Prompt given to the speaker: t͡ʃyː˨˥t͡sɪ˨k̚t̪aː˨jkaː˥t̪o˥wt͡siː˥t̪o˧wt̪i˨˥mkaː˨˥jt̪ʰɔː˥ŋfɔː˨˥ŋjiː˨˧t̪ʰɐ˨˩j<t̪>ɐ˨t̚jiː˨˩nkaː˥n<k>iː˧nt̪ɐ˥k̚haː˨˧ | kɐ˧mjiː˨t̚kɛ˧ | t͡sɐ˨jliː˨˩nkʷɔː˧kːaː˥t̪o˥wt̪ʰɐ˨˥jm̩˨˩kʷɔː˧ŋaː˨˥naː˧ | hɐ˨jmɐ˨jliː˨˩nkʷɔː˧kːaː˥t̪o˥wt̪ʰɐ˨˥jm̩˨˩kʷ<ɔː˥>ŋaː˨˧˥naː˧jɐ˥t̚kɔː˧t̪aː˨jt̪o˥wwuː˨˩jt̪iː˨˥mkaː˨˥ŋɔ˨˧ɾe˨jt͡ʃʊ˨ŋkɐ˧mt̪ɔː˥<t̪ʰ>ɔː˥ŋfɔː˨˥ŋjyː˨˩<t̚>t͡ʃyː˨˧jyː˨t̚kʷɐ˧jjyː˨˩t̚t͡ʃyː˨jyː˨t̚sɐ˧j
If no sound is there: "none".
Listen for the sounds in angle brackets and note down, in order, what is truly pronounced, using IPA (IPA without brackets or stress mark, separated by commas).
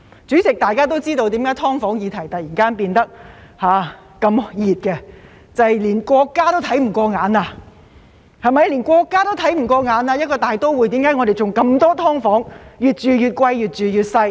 t̪, p, ɔː˧, t̪ʰ, t̚